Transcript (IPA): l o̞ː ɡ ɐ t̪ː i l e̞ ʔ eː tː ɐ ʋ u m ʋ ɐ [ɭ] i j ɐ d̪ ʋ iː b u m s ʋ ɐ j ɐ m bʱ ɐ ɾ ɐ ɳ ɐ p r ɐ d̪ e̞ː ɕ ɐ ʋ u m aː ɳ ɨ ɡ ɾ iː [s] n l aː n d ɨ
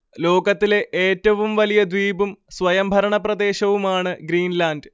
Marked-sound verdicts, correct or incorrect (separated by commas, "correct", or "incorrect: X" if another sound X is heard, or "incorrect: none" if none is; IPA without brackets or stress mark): incorrect: l, incorrect: none